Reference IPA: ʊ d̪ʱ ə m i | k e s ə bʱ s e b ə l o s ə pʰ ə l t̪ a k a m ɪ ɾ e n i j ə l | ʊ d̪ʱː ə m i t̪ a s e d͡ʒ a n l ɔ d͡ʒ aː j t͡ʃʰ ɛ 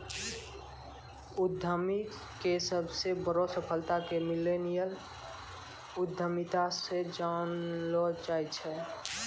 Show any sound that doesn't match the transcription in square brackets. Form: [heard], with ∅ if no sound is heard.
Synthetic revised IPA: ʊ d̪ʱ ə m i | k e s ə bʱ s e b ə [ɾ] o s ə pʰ ə l t̪ a k [e] m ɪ [l] e n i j ə l | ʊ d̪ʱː ə m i t̪ a s e d͡ʒ a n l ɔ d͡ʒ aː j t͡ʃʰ ɛ